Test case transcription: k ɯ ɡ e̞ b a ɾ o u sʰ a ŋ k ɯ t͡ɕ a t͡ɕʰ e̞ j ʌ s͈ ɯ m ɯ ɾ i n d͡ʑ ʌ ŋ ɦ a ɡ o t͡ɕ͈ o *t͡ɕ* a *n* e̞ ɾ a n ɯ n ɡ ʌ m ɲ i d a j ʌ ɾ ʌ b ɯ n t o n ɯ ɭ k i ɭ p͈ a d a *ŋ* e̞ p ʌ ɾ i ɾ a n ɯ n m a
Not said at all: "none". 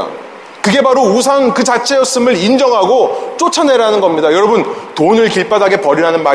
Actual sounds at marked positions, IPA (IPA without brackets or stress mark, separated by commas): t͡ɕʰ, n, ɡ